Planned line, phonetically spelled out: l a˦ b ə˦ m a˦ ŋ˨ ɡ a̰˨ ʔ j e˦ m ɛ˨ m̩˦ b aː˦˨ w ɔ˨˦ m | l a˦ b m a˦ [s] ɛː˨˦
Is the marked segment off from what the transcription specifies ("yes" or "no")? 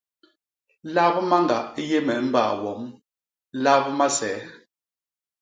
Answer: no